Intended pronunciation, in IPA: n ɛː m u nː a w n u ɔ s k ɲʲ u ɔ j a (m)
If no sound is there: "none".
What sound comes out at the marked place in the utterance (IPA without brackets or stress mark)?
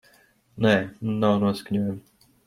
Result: m